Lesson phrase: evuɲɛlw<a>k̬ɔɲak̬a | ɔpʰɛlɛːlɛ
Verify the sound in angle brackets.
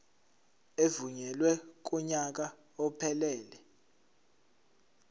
incorrect: ɛ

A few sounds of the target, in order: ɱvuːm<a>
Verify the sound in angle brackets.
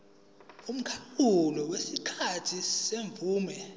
incorrect: ɛ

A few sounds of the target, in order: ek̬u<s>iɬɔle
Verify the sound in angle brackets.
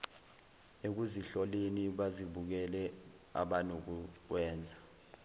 incorrect: z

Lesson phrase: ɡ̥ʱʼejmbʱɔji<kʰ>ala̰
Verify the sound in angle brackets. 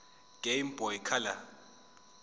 correct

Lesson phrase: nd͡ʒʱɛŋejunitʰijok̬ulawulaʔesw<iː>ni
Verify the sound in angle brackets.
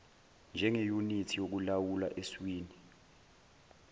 correct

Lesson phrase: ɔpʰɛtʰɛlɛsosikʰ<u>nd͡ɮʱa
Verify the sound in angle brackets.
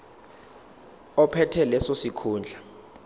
incorrect: uː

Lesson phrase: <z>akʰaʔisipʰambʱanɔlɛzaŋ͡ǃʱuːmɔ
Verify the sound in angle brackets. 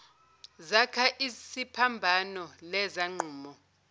correct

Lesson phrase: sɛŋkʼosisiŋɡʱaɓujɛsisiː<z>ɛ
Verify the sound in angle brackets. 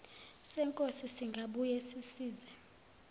correct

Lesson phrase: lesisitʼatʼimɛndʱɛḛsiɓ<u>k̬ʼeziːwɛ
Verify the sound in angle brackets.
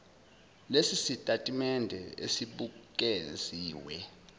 correct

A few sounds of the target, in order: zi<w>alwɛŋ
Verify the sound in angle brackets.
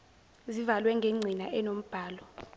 incorrect: v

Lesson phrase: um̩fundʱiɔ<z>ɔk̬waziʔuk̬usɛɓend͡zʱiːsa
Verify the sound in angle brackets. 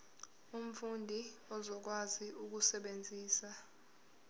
correct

